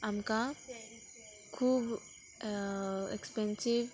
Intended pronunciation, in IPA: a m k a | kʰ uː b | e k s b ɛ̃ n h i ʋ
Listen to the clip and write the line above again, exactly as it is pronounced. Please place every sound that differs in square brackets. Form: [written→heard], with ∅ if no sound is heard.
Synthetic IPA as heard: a m k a | kʰ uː b | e k s [b→p] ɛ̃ n [h→s] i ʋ